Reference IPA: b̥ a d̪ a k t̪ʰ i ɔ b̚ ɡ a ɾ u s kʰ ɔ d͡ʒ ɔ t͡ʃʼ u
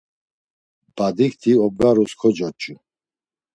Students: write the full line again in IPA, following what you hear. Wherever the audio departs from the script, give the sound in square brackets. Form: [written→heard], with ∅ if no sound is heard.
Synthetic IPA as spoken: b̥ a d̪ [a→i] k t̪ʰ i ɔ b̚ ɡ a ɾ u s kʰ ɔ d͡ʒ ɔ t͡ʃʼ u